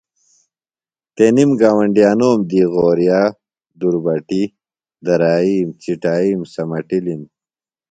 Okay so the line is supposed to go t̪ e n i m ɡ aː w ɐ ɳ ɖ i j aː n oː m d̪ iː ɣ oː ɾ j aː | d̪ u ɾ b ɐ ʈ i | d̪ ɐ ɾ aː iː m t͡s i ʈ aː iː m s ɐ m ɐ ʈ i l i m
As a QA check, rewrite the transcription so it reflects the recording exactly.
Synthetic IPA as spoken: t̪ e n i m ɡ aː w ɐ ɳ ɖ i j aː n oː m d̪ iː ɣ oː ɾ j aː | d̪ u ɾ b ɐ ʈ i | d̪ ɐ ɾ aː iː m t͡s i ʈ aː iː m s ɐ m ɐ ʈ i l i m